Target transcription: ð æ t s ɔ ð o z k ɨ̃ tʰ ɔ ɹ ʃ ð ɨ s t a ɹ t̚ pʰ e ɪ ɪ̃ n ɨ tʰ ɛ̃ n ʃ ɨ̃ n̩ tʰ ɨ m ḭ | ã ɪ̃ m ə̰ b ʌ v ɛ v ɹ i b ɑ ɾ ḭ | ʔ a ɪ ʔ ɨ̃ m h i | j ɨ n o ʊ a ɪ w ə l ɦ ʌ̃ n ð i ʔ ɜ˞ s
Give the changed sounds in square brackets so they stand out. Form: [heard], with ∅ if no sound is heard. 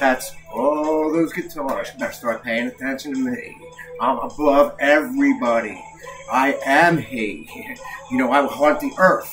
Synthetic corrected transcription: ð æ t s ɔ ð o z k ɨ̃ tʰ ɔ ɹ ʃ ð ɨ s t [ɑ] ɹ t̚ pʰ e ɪ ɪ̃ [ŋ] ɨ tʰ ɛ̃ n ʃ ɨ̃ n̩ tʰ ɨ m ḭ | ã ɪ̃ m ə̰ b ʌ v ɛ v ɹ i b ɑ ɾ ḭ | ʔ a ɪ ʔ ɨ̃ m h i | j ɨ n o ʊ a ɪ w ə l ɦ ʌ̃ n ð i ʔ ɜ˞ [θ]